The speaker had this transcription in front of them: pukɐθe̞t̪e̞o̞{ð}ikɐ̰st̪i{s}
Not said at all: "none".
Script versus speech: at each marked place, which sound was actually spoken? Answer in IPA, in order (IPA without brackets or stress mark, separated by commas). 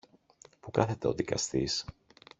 ð, s